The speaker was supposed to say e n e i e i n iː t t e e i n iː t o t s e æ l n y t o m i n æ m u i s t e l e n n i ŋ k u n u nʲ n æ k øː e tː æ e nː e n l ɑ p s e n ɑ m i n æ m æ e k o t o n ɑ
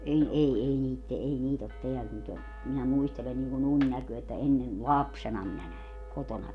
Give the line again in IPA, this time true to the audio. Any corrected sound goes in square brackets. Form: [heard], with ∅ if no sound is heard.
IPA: e n e i e i n iː t t e e i n iː t o t [t] e æ l n y t o m i n æ m u i s t e l e n n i ŋ k u n u nʲ n æ k øː e tː æ e nː e n l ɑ p s e n ɑ m i n æ [n] æ e k o t o n ɑ